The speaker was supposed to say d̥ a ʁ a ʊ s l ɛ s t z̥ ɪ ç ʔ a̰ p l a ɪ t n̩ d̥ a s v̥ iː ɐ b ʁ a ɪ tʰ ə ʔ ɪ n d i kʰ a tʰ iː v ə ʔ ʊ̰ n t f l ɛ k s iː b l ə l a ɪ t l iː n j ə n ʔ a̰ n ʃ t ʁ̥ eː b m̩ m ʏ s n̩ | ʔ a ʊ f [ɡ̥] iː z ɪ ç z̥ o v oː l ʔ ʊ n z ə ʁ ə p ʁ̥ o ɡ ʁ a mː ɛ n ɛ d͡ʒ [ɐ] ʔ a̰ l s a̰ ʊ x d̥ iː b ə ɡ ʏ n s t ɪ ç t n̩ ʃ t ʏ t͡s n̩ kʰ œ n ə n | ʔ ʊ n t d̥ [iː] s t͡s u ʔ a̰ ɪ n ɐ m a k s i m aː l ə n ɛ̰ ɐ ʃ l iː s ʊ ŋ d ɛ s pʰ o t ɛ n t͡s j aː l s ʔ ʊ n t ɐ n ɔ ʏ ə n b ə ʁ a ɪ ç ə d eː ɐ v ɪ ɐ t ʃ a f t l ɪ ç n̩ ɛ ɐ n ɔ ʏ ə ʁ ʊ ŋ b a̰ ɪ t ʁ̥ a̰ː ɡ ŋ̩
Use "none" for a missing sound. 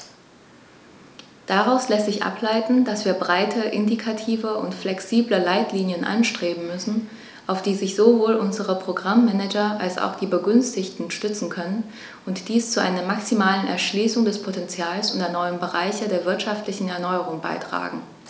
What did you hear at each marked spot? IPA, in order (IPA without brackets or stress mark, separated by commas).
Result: d̥, ɐ, iː